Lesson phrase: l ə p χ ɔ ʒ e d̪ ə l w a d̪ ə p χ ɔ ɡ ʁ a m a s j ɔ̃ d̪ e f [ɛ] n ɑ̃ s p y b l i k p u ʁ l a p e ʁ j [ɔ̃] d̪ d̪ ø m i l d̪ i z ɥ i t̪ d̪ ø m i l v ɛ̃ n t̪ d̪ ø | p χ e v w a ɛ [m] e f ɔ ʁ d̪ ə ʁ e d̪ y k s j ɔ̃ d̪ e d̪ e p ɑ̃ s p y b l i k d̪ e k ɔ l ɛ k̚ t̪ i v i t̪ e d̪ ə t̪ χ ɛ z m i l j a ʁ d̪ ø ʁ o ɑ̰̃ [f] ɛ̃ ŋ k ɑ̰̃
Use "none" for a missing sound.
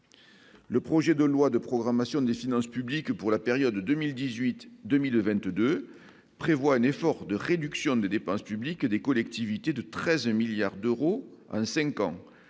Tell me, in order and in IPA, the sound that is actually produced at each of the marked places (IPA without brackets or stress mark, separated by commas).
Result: i, ɔ, n, s